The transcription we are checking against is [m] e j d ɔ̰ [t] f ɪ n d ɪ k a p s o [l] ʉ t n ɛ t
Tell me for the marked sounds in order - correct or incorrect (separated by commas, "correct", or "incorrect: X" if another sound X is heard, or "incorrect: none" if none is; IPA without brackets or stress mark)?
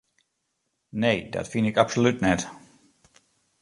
incorrect: n, correct, correct